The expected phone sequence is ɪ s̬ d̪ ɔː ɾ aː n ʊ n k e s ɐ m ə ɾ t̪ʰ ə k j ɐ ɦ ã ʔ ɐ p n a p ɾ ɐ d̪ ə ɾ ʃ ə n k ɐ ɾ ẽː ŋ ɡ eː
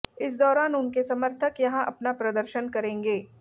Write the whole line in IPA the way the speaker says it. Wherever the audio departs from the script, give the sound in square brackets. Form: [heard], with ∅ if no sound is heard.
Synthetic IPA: ɪ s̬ d̪ ɔː ɾ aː n ʊ n k e s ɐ m ə ɾ t̪ʰ ə k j ɐ ɦ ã ʔ ɐ p n a p ɾ ɐ d̪ ə ɾ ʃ ə n k ɐ ɾ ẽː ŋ ɡ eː